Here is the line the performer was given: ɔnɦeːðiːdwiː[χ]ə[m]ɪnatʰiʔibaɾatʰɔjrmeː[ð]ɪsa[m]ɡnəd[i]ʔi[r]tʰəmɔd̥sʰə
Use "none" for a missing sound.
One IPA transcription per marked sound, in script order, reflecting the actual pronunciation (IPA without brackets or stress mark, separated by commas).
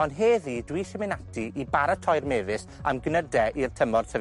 ʃ, m, v, m, ɛ, r